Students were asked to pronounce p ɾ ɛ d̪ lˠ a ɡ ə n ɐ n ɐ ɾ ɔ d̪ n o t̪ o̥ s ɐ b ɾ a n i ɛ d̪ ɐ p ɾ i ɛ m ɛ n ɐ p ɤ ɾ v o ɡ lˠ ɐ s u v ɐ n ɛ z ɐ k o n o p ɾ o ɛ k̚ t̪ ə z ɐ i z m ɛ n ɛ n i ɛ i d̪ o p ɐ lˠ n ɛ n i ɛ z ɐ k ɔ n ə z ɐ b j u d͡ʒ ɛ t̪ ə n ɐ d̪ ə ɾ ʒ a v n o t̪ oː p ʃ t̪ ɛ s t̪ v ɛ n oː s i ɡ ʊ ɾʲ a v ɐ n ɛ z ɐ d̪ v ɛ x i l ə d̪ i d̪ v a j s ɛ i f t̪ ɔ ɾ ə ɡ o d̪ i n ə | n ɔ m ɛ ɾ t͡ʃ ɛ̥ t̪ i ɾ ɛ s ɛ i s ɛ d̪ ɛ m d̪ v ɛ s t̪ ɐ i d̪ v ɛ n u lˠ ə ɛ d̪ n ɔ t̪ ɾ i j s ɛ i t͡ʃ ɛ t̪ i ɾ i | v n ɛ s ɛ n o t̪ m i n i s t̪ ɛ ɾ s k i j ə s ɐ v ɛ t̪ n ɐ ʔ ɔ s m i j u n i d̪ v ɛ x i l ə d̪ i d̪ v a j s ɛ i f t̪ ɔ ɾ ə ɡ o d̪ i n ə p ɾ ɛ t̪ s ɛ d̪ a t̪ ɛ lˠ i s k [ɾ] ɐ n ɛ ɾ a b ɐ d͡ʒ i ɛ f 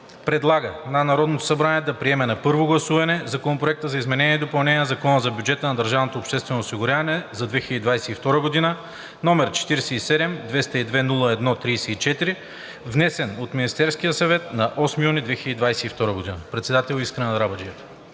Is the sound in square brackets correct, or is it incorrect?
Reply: correct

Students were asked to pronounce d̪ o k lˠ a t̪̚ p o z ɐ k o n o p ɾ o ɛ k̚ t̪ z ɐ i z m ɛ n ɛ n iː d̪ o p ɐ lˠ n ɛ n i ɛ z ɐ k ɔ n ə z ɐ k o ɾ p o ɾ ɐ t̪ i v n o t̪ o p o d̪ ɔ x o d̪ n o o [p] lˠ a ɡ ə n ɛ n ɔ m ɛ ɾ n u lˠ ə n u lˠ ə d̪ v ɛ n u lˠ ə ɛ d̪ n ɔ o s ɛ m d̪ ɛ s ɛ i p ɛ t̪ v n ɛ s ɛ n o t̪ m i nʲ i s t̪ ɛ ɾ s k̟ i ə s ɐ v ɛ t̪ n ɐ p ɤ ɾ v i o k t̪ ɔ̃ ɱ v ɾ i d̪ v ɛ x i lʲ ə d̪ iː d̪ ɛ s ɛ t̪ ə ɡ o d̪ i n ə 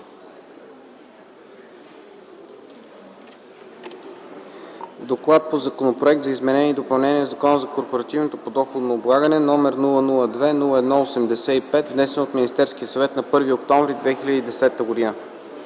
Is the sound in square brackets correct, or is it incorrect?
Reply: incorrect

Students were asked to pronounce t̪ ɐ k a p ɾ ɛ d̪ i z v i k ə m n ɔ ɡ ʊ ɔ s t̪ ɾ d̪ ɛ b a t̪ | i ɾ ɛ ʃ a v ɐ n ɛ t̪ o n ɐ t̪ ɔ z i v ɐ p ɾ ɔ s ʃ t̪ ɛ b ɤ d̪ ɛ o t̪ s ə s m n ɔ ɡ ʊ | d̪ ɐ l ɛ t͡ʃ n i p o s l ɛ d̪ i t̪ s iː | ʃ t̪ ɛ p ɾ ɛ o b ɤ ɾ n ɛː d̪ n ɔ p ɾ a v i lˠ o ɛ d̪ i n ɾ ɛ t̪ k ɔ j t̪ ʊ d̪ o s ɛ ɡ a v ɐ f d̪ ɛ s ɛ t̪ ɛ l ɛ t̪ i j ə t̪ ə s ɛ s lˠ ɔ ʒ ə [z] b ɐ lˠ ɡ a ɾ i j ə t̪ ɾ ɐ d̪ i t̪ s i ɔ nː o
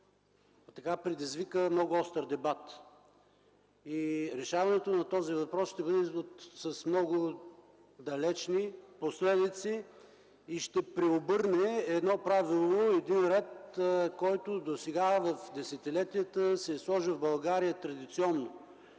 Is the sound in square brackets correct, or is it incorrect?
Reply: incorrect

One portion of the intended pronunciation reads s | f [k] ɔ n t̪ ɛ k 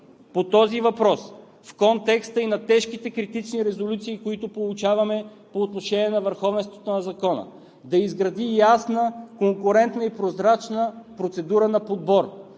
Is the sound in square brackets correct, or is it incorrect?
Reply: correct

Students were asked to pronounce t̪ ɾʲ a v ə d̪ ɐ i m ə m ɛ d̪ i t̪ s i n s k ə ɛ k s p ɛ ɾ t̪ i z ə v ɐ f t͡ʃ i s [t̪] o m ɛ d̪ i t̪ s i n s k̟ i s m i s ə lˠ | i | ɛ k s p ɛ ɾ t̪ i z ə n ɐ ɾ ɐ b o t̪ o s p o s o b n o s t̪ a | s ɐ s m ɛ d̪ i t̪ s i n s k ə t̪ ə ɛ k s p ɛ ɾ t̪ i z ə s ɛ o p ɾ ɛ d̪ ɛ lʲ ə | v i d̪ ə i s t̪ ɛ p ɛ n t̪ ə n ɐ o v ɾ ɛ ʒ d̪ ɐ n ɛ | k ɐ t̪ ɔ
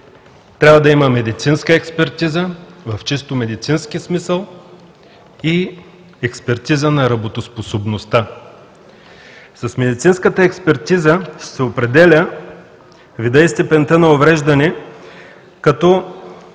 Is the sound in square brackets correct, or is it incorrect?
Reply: correct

